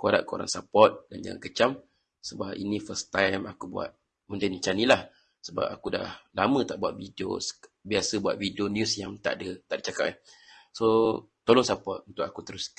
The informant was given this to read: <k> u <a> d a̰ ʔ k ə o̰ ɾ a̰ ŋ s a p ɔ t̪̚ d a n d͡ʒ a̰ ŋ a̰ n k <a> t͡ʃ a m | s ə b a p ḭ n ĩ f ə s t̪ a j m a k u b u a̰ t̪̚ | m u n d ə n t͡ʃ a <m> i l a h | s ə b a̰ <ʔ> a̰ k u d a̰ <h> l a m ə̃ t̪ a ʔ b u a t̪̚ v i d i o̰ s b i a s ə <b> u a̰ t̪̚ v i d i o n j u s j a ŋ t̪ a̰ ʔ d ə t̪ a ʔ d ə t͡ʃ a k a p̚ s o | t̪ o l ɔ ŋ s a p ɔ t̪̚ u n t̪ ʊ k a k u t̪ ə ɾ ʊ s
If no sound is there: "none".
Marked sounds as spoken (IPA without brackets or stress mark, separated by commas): k, a, ə, n, p, h, b